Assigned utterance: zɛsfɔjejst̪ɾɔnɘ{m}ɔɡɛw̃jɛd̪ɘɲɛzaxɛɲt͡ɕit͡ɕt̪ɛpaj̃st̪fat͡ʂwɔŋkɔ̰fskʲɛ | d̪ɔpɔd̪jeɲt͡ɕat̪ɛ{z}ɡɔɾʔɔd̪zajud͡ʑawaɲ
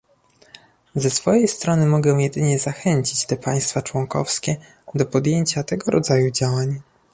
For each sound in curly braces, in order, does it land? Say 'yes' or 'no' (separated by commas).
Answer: yes, no